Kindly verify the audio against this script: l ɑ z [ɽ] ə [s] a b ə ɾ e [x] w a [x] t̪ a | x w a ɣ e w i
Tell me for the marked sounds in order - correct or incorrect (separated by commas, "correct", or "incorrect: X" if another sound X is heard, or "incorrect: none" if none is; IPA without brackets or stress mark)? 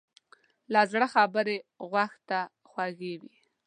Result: correct, incorrect: x, incorrect: ɣ, correct